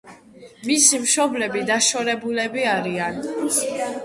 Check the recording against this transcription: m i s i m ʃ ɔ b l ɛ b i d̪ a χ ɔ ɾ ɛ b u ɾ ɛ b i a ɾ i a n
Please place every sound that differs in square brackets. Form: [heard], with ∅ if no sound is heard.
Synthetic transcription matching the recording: m i s i m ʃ ɔ b l ɛ b i d̪ a [ʃ] ɔ ɾ ɛ b u [l] ɛ b i a ɾ i a n